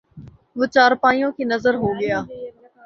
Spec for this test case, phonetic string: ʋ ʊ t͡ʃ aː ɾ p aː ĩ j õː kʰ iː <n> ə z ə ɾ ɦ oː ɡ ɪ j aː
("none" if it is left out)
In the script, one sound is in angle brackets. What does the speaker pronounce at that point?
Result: n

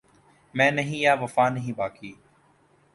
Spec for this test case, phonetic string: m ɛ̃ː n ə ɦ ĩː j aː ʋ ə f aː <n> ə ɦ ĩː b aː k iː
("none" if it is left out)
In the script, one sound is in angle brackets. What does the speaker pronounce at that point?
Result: n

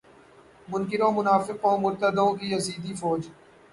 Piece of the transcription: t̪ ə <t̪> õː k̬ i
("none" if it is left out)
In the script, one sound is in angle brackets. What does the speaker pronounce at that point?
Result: d̪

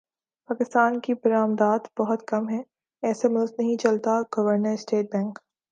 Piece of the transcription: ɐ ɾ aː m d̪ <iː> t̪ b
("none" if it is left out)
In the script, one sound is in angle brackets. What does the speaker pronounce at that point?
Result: aː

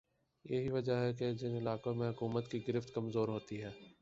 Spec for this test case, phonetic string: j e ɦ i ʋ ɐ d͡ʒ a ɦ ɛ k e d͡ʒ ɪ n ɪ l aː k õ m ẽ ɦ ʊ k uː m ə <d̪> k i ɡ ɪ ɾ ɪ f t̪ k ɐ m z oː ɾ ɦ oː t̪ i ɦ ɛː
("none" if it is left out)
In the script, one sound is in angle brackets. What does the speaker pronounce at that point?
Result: t̪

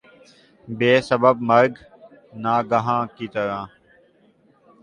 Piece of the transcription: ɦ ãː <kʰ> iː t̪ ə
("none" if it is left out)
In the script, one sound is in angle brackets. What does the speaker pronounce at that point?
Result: k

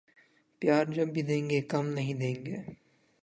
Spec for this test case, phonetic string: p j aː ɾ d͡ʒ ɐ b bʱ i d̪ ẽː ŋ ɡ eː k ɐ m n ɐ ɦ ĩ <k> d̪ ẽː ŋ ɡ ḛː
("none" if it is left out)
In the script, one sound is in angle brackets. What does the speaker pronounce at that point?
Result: none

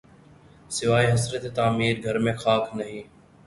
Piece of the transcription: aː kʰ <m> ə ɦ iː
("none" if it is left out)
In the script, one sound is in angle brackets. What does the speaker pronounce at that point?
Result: n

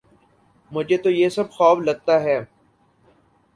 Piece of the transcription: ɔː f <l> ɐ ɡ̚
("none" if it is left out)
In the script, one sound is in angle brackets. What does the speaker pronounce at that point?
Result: l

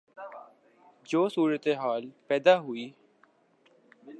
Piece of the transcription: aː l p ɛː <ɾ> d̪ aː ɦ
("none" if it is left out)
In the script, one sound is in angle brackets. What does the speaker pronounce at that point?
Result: none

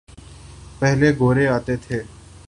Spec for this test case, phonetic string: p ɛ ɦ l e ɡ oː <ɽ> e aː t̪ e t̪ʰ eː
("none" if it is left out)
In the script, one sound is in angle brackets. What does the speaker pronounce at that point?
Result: ɾ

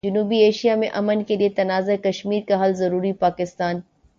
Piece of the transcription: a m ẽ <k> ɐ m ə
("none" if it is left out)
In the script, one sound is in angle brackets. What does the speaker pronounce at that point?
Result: ʔ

